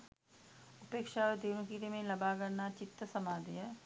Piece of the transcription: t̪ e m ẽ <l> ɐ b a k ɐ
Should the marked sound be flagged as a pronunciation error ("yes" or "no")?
no